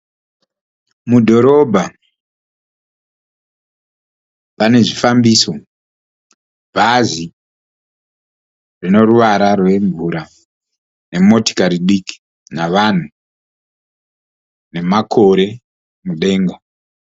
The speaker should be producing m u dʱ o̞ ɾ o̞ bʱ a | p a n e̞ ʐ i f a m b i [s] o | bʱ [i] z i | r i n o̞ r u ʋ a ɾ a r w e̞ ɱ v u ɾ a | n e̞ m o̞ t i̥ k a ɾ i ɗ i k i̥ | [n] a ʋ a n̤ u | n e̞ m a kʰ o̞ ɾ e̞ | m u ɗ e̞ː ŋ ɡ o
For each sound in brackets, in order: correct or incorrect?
correct, incorrect: a, correct

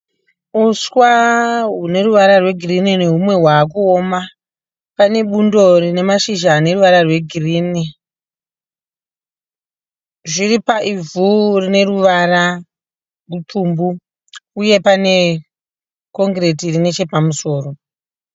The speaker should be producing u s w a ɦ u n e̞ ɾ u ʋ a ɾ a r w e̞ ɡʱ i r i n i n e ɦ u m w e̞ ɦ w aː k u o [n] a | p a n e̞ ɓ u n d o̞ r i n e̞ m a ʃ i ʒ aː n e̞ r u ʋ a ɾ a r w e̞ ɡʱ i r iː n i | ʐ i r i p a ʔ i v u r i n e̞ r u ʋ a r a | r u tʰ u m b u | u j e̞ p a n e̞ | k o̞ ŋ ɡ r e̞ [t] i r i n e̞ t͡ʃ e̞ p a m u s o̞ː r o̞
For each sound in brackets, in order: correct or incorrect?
incorrect: m, correct

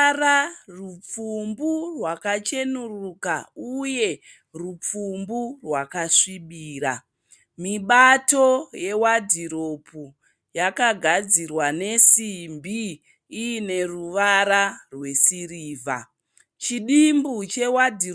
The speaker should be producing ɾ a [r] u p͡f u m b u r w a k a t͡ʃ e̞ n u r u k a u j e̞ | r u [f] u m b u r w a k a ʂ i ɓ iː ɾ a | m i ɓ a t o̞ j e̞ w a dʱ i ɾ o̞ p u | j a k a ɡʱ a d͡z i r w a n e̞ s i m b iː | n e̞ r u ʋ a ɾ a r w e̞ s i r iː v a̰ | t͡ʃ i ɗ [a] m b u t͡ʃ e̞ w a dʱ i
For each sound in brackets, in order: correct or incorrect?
correct, incorrect: p͡f, incorrect: i

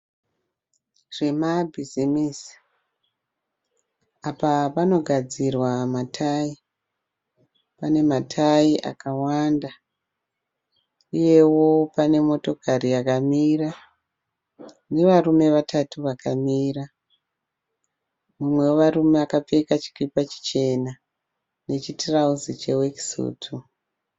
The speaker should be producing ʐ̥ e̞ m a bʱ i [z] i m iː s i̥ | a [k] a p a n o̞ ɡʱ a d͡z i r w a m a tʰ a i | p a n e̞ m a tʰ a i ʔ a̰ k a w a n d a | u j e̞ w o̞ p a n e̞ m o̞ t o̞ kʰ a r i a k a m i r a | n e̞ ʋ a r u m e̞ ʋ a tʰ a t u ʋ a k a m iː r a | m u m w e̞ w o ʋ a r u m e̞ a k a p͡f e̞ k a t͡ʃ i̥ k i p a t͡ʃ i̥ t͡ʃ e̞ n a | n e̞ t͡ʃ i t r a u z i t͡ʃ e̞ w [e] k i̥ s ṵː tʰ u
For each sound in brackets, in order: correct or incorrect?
correct, incorrect: p, correct

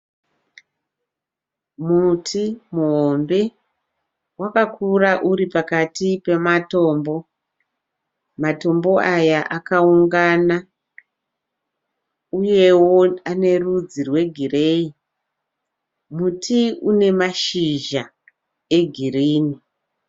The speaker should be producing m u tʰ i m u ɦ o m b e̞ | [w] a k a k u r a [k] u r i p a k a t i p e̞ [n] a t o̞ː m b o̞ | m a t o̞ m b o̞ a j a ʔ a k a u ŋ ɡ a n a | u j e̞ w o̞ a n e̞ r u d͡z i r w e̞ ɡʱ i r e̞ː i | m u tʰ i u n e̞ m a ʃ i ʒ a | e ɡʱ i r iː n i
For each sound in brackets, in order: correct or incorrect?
correct, incorrect: ʔ, incorrect: m

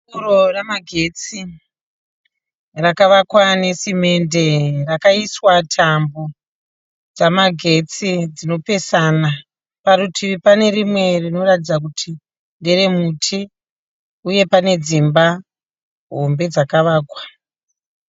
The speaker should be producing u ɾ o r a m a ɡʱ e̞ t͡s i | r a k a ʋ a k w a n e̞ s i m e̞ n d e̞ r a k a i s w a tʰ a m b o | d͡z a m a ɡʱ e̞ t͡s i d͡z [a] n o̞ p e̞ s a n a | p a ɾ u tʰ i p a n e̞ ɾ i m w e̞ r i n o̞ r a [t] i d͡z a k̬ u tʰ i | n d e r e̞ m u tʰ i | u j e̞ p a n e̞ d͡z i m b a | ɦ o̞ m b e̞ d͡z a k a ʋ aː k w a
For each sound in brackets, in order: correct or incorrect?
incorrect: i, correct

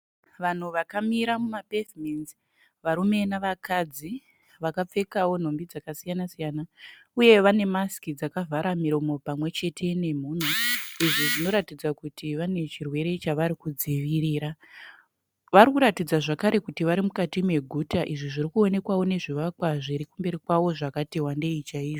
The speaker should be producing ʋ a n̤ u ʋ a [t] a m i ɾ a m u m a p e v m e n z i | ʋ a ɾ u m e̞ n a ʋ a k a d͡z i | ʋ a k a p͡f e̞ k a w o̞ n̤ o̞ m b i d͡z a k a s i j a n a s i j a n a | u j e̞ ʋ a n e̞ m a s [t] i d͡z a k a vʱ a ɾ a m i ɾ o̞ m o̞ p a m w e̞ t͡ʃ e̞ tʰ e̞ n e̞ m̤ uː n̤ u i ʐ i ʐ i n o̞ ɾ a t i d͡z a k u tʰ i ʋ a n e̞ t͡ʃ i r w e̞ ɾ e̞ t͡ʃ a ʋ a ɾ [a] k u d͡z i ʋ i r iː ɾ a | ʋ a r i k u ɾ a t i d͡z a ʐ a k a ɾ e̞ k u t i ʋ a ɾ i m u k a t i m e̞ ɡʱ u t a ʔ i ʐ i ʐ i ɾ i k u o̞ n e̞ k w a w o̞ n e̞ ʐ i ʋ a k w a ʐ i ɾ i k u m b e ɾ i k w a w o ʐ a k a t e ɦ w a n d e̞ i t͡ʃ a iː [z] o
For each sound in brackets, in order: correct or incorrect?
incorrect: k, incorrect: k, incorrect: i, incorrect: ʐ

